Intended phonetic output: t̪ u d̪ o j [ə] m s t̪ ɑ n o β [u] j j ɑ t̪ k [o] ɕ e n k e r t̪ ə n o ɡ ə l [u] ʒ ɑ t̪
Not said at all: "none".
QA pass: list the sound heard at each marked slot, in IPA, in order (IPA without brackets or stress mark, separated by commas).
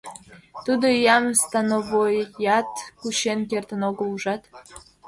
ɑ, o, u, u